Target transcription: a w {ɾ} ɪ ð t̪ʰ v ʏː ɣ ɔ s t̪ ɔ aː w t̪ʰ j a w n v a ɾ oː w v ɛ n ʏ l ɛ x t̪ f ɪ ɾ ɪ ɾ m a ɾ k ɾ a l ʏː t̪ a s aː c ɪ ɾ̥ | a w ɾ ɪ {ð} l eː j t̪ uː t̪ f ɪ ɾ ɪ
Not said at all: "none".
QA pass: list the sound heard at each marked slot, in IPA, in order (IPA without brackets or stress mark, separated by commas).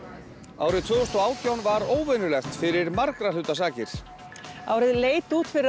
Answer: ɾ, ð